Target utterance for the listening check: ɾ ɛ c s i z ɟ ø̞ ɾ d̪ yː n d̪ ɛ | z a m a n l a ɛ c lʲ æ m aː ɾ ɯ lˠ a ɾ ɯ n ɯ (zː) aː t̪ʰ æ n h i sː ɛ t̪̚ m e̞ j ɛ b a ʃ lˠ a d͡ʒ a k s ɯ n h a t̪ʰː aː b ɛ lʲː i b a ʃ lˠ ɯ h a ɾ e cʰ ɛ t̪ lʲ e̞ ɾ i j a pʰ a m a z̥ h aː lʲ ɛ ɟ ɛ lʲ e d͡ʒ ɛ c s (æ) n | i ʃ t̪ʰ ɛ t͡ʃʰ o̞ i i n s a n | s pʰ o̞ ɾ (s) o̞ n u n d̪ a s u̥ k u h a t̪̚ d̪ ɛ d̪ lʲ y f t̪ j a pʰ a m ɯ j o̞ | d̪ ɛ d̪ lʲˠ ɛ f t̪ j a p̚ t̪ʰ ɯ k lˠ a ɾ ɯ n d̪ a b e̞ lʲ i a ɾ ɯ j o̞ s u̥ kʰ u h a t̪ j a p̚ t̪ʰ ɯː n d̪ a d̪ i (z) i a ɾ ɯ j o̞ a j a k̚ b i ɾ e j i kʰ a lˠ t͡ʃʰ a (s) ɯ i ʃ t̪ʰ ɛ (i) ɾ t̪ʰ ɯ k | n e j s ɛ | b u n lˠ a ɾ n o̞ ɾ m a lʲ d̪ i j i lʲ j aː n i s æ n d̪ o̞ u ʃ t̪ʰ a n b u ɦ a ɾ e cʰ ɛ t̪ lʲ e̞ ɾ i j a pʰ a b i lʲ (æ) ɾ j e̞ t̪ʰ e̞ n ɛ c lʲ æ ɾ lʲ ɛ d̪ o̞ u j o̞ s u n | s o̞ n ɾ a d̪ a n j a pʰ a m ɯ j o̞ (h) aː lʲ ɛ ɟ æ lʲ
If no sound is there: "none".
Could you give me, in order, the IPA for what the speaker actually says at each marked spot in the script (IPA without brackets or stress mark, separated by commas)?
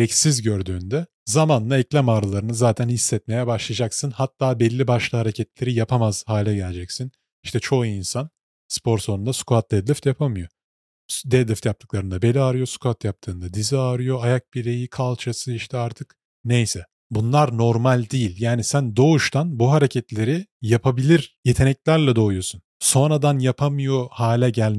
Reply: z, i, s, z, s, a, i, h